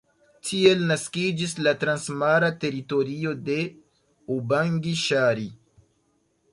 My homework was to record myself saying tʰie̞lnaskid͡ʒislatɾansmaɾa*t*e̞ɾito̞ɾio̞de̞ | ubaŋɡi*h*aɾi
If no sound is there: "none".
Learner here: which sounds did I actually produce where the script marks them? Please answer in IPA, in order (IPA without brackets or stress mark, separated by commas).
t, ʃ